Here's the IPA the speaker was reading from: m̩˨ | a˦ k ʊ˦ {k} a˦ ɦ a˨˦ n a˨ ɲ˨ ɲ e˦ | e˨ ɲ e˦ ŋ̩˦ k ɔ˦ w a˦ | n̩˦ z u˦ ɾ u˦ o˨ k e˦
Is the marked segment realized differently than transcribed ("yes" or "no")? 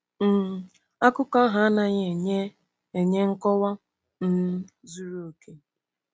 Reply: no